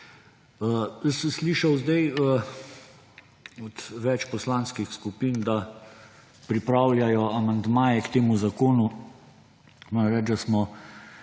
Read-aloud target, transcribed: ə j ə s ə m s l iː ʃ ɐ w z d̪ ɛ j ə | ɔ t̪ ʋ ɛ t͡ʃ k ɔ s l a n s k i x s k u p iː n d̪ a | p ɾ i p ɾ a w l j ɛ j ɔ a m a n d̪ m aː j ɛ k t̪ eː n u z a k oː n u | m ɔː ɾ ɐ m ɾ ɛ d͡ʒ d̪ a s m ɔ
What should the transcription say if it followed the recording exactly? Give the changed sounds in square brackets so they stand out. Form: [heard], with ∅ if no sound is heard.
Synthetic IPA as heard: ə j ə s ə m s l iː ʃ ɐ w z d̪ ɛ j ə | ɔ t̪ ʋ ɛ t͡ʃ [p] ɔ s l a n s k i x s k u p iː n d̪ a | p ɾ i p ɾ a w l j [a] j ɔ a m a n d̪ m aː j ɛ k t̪ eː [m] u z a k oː n u | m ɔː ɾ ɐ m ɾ ɛ d͡ʒ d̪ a s m ɔ